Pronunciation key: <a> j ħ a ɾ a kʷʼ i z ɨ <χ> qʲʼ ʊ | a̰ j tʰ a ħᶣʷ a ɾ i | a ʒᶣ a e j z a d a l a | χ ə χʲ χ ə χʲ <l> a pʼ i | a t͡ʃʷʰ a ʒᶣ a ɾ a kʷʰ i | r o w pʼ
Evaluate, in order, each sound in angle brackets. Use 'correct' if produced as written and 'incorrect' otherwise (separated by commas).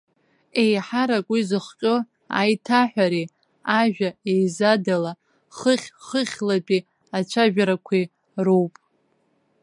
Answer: incorrect, correct, correct